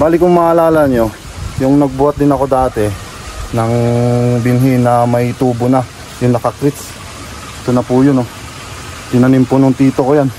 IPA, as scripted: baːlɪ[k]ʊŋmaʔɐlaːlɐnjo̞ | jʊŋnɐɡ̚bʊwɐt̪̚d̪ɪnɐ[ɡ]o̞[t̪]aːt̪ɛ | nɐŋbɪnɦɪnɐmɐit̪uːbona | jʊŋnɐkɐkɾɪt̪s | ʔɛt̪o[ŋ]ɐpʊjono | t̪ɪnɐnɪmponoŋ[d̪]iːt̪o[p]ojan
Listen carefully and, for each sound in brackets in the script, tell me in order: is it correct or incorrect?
correct, incorrect: k, incorrect: d̪, incorrect: n, incorrect: t̪, incorrect: k

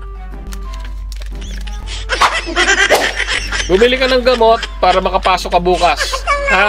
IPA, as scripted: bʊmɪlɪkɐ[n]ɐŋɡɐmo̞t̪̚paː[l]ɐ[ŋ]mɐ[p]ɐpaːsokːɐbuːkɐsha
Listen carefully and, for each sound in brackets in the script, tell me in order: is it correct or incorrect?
correct, incorrect: ɾ, incorrect: none, incorrect: k

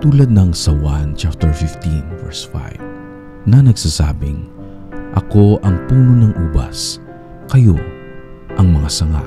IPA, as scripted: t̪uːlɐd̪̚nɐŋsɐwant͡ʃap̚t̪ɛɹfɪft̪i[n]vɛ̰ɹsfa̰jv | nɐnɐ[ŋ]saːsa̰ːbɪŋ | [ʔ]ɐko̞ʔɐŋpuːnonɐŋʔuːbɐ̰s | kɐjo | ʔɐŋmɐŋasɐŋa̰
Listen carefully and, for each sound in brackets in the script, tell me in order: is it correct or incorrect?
correct, incorrect: ɡ, correct

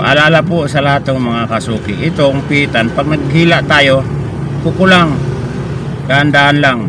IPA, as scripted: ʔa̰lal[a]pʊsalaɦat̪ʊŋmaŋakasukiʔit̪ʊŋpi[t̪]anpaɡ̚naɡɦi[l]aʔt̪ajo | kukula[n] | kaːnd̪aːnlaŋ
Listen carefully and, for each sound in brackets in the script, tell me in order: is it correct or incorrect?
correct, correct, correct, incorrect: ŋ

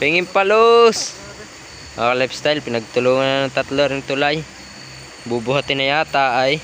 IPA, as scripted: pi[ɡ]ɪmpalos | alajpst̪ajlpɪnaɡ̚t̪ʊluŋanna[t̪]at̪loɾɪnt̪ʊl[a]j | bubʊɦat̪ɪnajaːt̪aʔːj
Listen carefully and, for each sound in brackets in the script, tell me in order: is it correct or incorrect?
incorrect: ŋ, correct, correct

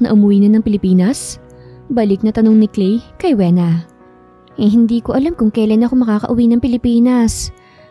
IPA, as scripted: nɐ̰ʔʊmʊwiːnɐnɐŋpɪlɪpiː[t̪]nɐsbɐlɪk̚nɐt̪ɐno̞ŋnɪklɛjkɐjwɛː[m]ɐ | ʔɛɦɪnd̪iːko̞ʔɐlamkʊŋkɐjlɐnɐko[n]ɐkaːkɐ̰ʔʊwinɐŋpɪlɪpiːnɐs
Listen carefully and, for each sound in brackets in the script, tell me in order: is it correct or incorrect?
incorrect: none, incorrect: n, incorrect: m

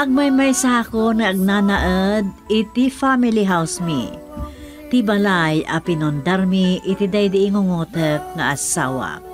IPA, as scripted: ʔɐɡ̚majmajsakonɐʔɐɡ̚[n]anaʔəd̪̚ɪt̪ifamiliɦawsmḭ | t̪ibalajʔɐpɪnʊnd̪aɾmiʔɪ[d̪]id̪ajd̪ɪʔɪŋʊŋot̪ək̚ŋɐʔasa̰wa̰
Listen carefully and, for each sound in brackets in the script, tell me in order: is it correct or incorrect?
correct, incorrect: t̪

